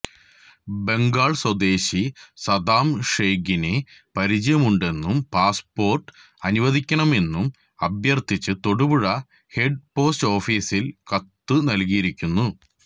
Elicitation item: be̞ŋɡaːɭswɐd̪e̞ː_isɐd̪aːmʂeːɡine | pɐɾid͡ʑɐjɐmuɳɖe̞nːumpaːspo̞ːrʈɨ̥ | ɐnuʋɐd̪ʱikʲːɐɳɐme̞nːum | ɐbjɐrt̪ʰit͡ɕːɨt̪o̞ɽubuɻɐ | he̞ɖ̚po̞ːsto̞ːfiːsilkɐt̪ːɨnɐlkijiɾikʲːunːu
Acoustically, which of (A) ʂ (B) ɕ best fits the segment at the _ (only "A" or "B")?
B